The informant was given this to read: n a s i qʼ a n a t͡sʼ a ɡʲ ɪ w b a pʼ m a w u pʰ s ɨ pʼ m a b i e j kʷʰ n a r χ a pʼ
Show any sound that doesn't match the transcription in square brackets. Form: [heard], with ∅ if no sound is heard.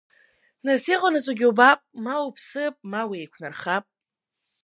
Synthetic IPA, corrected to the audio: n a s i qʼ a n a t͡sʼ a ɡʲ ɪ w b a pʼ m a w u pʰ s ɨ pʼ m a [w] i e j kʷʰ n a r χ a pʼ